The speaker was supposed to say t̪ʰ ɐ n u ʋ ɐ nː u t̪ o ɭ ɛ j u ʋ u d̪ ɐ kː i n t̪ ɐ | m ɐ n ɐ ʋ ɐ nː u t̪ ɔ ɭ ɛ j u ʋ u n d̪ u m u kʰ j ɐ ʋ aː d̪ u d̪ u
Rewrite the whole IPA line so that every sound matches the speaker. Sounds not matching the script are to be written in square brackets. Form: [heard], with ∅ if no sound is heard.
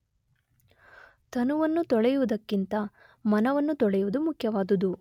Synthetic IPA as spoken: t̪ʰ ɐ n u ʋ ɐ nː u t̪ [ɔ] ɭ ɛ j u ʋ u d̪ ɐ kː i n t̪ ɐ | m ɐ n ɐ ʋ ɐ nː u t̪ ɔ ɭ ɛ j u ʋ u [∅] d̪ u m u kʰ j ɐ ʋ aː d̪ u d̪ u